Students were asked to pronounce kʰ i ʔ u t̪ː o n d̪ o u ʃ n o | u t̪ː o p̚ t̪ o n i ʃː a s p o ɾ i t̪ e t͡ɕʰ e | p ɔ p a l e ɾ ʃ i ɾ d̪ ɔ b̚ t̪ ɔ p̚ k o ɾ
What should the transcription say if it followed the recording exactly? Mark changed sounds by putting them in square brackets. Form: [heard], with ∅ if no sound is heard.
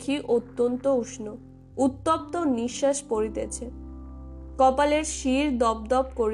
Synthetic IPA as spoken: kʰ i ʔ [o] t̪ː o n [t̪] o u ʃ n o | u t̪ː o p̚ t̪ o n i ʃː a [ʃ] p o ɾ i t̪ e t͡ɕʰ e | [k] ɔ p a l e ɾ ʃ i ɾ d̪ ɔ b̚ [d̪] ɔ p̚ k o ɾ